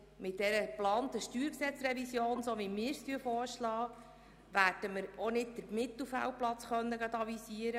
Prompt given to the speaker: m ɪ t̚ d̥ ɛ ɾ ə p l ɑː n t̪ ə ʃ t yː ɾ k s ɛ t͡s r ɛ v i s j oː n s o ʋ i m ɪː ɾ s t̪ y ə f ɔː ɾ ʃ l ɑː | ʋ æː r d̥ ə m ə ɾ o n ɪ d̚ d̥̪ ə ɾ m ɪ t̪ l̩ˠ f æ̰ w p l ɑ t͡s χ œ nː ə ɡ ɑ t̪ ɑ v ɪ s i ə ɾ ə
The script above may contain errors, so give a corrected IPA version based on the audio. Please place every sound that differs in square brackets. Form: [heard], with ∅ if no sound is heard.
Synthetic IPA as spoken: m ɪ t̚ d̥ ɛ ɾ ə p l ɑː n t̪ ə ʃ t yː ɾ k s ɛ t͡s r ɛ v i s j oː n s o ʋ i m ɪː ɾ s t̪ y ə f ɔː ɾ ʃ l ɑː | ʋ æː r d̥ ə m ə ɾ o n ɪ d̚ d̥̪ ə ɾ m ɪ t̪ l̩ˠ f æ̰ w p l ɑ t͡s χ œ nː ə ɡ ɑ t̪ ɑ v [i] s i ə ɾ ə